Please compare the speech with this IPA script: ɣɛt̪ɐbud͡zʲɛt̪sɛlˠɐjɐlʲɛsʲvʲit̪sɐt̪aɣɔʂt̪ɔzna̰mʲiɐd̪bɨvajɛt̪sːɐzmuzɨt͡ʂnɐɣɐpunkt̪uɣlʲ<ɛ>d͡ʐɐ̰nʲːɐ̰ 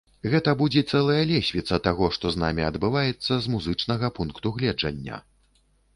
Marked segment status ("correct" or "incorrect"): correct